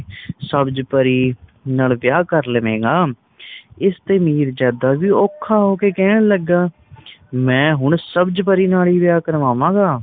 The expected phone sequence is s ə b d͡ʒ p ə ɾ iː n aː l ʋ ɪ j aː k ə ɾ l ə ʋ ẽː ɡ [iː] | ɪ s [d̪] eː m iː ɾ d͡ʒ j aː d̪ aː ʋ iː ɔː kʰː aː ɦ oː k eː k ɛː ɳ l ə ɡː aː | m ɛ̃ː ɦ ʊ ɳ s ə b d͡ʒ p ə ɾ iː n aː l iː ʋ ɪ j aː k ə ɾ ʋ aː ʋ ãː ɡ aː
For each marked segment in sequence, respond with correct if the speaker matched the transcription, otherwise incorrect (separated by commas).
incorrect, incorrect